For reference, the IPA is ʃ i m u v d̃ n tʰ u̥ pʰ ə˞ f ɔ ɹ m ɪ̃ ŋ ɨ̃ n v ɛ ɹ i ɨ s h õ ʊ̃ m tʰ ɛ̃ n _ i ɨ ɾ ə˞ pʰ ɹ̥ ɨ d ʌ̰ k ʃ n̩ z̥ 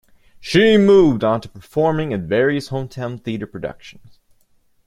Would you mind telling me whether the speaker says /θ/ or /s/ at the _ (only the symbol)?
θ